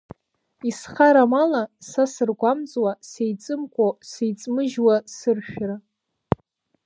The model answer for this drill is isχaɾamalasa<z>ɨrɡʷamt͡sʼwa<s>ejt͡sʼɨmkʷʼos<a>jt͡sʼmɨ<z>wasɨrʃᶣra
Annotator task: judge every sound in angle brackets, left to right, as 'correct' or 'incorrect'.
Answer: incorrect, correct, incorrect, incorrect

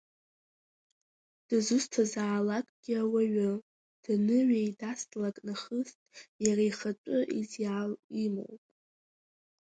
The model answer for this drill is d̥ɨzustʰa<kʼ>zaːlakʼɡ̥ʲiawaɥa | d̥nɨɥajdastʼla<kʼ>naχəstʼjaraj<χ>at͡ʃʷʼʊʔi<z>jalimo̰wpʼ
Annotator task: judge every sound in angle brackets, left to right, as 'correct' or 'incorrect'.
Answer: incorrect, correct, correct, correct

